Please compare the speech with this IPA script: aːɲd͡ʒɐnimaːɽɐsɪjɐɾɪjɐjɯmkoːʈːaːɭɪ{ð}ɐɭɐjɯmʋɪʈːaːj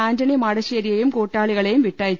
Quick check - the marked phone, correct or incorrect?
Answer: incorrect